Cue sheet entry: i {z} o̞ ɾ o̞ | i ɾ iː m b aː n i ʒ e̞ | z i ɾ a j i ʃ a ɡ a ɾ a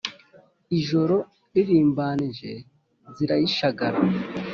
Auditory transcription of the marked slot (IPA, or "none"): ʒ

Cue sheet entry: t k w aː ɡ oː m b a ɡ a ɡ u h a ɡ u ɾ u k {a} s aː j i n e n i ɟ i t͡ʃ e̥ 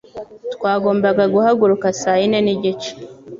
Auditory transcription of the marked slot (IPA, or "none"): a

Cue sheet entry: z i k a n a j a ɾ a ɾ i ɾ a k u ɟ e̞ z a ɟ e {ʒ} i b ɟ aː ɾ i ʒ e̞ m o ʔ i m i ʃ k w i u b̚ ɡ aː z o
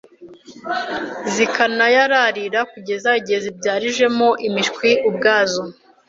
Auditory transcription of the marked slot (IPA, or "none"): z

